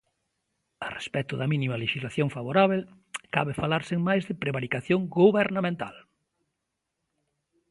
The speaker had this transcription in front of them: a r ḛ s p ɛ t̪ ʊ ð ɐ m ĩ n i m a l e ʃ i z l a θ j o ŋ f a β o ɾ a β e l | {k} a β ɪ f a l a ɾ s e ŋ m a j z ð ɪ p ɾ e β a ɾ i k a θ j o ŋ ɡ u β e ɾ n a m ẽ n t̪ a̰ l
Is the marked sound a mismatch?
no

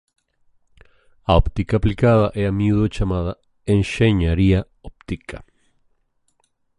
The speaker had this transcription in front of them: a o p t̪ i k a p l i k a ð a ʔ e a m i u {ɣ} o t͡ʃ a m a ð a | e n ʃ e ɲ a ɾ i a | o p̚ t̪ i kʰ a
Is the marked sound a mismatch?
yes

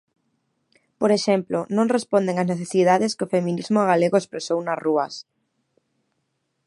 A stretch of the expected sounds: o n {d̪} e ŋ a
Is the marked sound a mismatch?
no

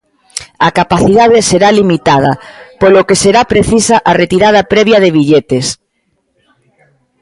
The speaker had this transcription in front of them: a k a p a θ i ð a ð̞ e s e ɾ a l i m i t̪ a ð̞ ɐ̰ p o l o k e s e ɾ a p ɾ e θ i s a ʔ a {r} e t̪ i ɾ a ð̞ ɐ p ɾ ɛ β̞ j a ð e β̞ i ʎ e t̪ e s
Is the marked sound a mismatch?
no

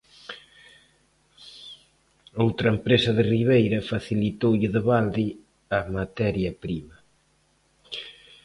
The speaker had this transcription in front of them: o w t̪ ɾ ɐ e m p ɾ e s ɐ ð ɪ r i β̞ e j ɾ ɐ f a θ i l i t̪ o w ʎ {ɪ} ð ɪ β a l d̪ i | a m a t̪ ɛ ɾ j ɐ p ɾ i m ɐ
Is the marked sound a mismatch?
no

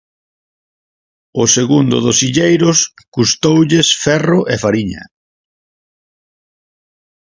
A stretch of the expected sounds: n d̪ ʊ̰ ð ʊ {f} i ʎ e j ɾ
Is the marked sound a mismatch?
yes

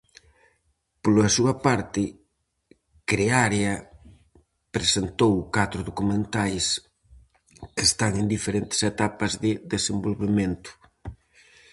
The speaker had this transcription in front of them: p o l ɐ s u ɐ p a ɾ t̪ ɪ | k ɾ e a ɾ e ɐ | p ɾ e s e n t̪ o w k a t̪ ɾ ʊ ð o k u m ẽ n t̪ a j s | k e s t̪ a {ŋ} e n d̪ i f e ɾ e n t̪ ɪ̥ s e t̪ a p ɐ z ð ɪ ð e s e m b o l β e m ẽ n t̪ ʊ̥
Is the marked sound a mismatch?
no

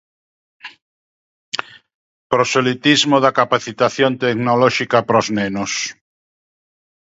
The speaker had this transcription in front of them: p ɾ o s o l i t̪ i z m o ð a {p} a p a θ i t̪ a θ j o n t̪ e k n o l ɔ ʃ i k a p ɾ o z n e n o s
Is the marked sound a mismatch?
yes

